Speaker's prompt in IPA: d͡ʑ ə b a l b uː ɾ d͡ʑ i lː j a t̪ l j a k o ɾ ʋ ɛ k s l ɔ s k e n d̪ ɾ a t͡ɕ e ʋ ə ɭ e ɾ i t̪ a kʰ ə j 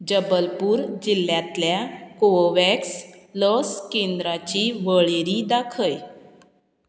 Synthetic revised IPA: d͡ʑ ə b ə l p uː ɾ d͡ʑ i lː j a t̪ l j a k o ʋ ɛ k s l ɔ s k e n d̪ ɾ a t͡ɕ i ʋ ə ɭ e ɾ i d̪ a kʰ ə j

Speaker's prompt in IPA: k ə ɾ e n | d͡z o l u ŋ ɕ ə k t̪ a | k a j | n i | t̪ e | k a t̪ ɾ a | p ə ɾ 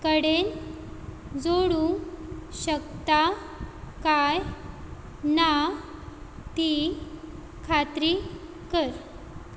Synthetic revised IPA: k ə ɽ e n | d͡z o ɽ u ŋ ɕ ə k t̪ a | k a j | n a | t̪ i | kʰ a t̪ ɾ i | k ə ɾ

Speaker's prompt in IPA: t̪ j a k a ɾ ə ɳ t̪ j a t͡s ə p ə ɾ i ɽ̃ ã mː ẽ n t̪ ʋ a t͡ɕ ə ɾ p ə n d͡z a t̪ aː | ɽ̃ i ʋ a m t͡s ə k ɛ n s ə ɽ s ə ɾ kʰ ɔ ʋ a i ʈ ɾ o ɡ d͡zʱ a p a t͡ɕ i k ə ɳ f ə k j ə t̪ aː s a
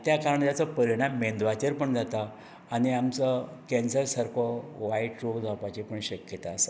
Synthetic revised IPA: t̪ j a k a ɾ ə ɳ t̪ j a t͡s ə p ə ɾ i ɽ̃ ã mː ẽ n d̪ ʋ a t͡ɕ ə ɾ p ə ɳ d͡z a t̪ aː | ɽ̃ i a m t͡s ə k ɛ n s ə ɾ s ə ɾ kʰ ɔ ʋ a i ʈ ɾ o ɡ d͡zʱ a p a t͡ɕ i p ə ɳ ɕ ə k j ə t̪ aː s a

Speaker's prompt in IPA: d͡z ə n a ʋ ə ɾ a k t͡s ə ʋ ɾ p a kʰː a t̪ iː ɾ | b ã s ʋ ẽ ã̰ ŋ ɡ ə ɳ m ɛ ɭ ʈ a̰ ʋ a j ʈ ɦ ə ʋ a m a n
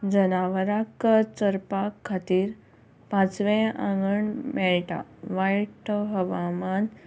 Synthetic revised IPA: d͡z ə n a ʋ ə ɾ a k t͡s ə ɾ p a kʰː a t̪ iː ɾ | p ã t͡s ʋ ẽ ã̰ ŋ ɡ ə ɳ m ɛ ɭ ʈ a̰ ʋ a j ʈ ɦ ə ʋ a m a n

